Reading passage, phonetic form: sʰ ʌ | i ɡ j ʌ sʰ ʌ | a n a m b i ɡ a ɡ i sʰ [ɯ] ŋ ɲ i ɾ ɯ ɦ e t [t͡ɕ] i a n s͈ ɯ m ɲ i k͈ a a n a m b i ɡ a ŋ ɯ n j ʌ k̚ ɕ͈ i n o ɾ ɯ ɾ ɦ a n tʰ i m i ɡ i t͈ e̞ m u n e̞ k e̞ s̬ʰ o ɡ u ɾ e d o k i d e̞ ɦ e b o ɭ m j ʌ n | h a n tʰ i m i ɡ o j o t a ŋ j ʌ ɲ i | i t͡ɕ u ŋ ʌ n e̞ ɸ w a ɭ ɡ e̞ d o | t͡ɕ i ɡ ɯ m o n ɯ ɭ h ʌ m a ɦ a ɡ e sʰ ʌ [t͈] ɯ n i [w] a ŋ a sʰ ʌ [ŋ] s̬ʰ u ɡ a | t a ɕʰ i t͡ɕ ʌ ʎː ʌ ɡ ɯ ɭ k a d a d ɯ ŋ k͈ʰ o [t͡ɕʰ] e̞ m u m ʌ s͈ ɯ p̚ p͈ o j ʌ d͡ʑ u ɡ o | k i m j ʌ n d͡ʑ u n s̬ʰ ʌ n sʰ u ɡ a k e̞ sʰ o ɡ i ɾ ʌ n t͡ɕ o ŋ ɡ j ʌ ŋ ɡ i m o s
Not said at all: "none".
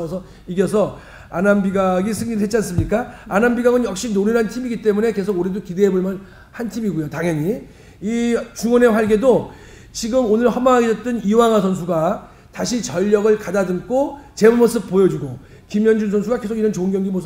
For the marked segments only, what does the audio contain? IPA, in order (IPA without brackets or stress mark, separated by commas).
ɯ, t͡ɕ, t͈, w, n, t͡ɕ